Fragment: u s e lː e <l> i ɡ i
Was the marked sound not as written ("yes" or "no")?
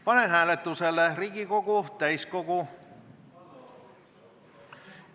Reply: yes